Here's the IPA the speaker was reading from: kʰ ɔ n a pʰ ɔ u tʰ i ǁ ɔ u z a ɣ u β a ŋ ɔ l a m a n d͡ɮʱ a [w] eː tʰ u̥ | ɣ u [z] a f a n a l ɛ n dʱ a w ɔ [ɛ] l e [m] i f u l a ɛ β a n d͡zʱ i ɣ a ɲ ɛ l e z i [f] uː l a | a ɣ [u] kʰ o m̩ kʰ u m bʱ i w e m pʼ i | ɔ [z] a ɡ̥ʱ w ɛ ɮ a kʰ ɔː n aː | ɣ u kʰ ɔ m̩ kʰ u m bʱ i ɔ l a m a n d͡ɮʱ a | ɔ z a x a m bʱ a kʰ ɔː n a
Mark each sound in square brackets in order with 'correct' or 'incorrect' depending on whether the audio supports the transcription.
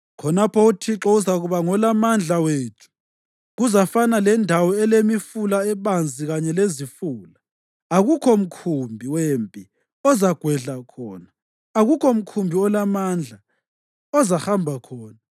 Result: correct, correct, correct, correct, correct, correct, correct

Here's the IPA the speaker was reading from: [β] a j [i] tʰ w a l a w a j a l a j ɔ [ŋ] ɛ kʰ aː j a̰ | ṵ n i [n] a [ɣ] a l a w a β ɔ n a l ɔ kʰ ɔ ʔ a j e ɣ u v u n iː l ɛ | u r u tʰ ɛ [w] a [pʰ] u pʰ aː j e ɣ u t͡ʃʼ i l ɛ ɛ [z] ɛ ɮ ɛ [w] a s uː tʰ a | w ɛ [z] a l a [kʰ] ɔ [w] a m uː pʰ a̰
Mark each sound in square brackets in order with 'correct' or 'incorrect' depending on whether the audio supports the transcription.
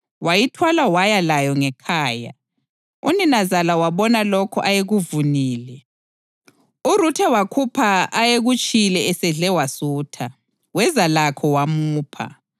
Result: incorrect: w, correct, correct, correct, incorrect: z, correct, incorrect: kʰ, incorrect: s, correct, correct, correct, correct

